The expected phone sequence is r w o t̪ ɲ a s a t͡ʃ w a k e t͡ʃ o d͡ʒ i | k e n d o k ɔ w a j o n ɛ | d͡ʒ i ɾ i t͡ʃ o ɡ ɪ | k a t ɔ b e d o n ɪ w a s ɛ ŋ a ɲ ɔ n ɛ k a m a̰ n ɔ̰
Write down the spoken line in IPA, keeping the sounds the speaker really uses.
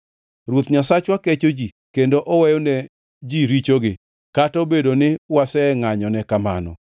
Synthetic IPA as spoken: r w o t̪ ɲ a s a t͡ʃ w a k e t͡ʃ o d͡ʒ i | k e n d o ʔ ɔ w ɛ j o n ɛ | d͡ʒ i ɾ i t͡ʃ o ɡ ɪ | k a t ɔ b e d o n ɪ w a s ɛ ŋ a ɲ ɔ n ɛ k a m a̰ n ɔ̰

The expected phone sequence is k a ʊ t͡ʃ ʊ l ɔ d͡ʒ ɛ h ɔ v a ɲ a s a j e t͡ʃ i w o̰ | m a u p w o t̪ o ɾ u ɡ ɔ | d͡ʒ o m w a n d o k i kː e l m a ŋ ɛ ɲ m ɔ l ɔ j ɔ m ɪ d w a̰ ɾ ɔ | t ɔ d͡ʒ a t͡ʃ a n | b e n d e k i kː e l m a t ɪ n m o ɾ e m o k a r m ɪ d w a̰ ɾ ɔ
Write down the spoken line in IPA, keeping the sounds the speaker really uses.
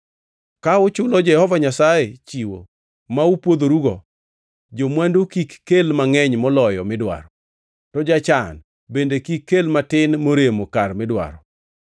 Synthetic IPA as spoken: k a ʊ t͡ʃ ʊ l ɔ d͡ʒ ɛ h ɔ v a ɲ a s a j e t͡ʃ i w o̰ | m a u p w o d̪ o ɾ u ɡ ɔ | d͡ʒ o m w a n d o k i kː e l m a ŋ ɛ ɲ m ɔ l ɔ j ɔ m ɪ d w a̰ ɾ ɔ | t ɔ d͡ʒ a t͡ʃ a n | b e n d e k i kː e l m a t ɪ n m o ɾ e m o k a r m ɪ d w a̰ ɾ ɔ

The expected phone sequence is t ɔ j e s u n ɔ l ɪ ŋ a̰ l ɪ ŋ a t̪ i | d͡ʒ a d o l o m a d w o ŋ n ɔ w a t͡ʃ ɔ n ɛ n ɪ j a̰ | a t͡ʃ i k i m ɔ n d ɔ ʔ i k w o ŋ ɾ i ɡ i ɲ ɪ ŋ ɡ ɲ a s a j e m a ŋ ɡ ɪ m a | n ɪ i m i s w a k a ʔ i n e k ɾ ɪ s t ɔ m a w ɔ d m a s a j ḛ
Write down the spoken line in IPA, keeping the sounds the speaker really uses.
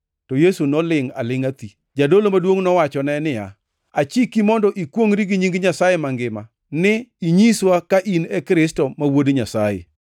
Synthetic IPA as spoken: t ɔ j e s u n ɔ l ɪ ŋ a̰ l ɪ ŋ a t̪ i | d͡ʒ a d o l o m a d w o ŋ n ɔ w a t͡ʃ ɔ n ɛ n ɪ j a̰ | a t͡ʃ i k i m ɔ n d ɔ ʔ i k w o ŋ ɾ i ɡ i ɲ i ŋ ɡ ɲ a s a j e m a ŋ ɡ ɪ m a | n ɪ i ɲ i s w a k a ʔ i n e k ɾ ɪ s t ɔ m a w o d ɲ a s a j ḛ

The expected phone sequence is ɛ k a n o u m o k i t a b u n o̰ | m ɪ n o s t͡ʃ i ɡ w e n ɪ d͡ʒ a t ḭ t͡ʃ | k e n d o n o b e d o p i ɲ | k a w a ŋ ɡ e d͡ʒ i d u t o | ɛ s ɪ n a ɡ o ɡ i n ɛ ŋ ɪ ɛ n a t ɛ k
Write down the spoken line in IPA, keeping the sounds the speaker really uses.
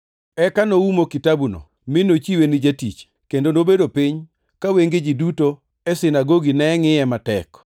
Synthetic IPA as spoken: ɛ k a n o u m o k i t a b u n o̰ | m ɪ n o t͡ʃ i w e n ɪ d͡ʒ a t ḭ t͡ʃ | k e n d o n o b e d o p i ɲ | k a w e ŋ ɡ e d͡ʒ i d u t o | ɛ s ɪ n a ɡ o ɡ i n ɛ ŋ ɪ ɛ m a t ɛ k

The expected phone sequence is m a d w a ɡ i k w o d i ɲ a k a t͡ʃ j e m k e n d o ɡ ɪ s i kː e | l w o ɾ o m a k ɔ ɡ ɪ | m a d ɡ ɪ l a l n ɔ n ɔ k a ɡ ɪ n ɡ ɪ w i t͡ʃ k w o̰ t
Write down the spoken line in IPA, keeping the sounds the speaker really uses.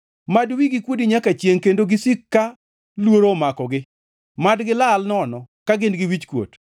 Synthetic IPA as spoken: m a d w i ɡ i k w o d i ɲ a k a t͡ʃ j e ŋ k e n d o ɡ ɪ s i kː a | l w o ɾ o m a k ɔ ɡ ɪ | m a d ɡ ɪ l a l n ɔ n ɔ k a ɡ ɪ n ɡ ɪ w i t͡ʃ k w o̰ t

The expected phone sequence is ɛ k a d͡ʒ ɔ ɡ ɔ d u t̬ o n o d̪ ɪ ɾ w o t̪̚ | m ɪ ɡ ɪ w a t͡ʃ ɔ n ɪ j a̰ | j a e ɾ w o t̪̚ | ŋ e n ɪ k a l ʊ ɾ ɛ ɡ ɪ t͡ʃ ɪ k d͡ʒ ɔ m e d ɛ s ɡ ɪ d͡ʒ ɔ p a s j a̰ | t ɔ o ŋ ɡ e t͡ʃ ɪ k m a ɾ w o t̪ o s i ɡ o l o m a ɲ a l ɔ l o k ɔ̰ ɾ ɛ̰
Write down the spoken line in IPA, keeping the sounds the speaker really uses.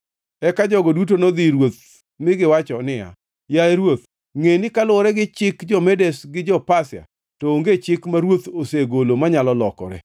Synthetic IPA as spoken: ɛ k a d͡ʒ ɔ ɡ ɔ d u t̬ o n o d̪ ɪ ɾ w o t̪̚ | m ɪ ɡ ɪ w a t͡ʃ ɔ n ɪ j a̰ | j a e ɾ w o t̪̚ | ŋ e n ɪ k a l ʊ ɾ ɛ ɡ ɪ t͡ʃ ɪ k d͡ʒ ɔ m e d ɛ s ɡ ɪ d͡ʒ ɔ p a s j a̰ | t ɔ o ŋ ɡ e t͡ʃ ɪ k m a ɾ w o t̪ o s e ɡ o l o m a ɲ a l ɔ l ɔ k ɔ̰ ɾ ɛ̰

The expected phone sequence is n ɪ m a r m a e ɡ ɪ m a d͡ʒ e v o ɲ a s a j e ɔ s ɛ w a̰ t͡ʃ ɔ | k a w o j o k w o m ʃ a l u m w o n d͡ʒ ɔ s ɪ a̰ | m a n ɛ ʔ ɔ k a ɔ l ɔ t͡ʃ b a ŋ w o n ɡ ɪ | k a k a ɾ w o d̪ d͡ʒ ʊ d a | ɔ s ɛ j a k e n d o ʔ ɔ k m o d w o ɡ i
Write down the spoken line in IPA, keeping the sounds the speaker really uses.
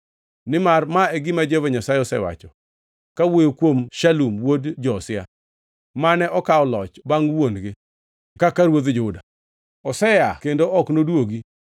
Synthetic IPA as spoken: n ɪ m a r m a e ɡ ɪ m a d͡ʒ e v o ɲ a s a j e ɔ s ɛ w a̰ t͡ʃ ɔ | k a w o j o k w o m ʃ a l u m w o d d͡ʒ ɔ s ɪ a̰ | m a n ɛ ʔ ɔ k a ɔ l ɔ t͡ʃ b a ŋ w o n ɡ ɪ | k a k a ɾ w o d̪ d͡ʒ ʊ d a | ɔ s ɛ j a k e n d o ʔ ɔ k n o d w o ɡ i

